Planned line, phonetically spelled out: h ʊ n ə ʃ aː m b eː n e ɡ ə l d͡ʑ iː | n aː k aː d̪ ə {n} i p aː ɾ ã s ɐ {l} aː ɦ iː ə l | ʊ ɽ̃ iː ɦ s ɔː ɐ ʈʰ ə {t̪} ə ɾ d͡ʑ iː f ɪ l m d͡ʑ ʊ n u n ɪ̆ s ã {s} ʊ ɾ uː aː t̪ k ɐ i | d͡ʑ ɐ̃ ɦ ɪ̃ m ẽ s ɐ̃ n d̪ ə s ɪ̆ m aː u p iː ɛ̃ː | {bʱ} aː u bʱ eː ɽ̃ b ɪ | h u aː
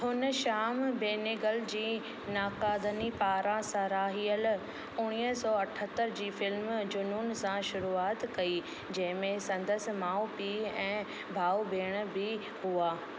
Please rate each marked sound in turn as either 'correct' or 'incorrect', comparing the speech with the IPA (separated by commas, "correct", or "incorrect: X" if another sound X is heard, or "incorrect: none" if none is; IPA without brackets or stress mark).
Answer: correct, incorrect: ɾ, correct, incorrect: ʃ, correct